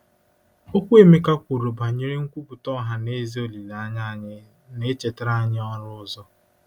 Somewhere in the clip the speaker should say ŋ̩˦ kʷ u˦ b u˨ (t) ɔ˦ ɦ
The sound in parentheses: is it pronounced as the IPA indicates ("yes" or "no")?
yes